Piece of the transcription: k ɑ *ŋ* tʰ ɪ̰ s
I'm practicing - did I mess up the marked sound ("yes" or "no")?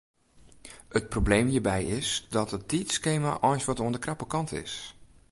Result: yes